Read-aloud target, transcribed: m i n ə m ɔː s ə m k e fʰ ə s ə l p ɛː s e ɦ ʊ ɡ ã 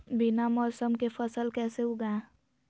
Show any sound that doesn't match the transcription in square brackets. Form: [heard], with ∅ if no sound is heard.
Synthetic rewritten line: [b] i n [a] m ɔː s ə m k e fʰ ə s ə l [k] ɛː s e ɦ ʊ ɡ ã